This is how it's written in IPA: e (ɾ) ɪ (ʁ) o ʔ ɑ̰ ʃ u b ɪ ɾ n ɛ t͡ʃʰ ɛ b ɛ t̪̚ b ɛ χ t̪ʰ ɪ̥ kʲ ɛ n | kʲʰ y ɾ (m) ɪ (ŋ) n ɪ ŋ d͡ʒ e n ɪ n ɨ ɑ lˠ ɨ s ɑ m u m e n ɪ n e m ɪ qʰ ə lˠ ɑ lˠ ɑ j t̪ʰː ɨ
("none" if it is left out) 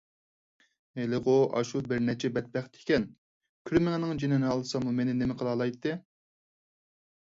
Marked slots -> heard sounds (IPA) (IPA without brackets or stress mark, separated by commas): l, ʁ, m, ŋ